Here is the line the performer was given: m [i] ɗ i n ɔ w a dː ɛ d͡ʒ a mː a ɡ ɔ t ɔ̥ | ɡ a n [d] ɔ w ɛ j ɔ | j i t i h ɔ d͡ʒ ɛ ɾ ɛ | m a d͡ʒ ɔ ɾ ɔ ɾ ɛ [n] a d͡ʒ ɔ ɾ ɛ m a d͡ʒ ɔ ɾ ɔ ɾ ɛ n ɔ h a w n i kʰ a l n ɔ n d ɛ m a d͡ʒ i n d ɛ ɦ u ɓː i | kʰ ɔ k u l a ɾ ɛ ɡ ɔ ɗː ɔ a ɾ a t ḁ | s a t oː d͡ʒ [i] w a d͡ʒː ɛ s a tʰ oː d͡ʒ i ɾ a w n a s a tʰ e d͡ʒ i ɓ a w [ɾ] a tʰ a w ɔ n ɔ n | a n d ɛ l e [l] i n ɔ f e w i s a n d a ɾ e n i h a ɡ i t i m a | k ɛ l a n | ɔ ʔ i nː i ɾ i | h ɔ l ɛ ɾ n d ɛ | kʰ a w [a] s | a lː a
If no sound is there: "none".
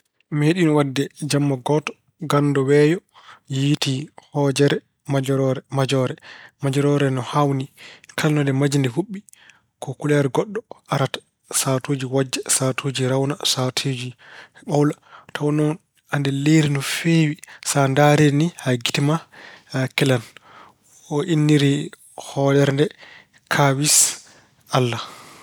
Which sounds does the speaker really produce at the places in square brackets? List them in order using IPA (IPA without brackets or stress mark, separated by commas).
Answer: e, d, m, i, l, ɾ, i